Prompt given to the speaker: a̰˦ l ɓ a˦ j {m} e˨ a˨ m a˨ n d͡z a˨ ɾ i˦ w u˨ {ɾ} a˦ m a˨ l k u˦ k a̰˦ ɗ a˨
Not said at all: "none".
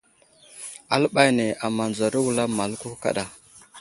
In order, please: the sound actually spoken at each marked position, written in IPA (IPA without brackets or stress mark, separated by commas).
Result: n, l